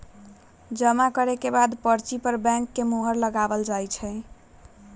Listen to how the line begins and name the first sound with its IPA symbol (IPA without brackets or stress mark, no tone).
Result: d͡ʒ